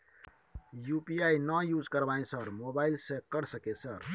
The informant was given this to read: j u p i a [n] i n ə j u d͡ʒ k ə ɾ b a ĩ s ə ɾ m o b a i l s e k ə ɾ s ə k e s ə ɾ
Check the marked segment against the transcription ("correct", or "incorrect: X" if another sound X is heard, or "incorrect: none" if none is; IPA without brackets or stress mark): incorrect: none